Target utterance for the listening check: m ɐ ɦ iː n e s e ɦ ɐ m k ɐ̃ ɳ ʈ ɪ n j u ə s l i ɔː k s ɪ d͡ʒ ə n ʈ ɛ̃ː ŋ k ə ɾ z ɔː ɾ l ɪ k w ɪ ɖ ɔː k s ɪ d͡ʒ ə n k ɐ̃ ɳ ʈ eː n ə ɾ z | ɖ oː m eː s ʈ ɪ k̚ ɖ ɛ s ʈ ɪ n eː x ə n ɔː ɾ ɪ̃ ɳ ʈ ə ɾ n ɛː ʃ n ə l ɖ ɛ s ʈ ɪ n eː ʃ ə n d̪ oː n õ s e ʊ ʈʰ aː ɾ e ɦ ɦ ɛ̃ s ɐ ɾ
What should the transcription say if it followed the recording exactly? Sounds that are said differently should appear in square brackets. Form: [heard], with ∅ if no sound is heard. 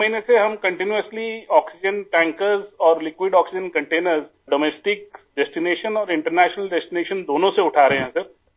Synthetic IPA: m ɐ ɦ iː n e s e ɦ ɐ m k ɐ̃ ɳ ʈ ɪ n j u ə s l i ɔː k s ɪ d͡ʒ ə n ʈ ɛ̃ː ŋ k ə ɾ z ɔː ɾ l ɪ k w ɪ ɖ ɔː k s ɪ d͡ʒ ə n k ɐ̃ ɳ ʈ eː n ə ɾ z | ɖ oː m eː s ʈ ɪ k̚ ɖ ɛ s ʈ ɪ n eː [ʃ] ə n ɔː ɾ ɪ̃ ɳ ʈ ə ɾ n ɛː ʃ n ə l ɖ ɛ s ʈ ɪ n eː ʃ ə n d̪ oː n õ s e ʊ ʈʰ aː ɾ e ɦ ɦ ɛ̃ s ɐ ɾ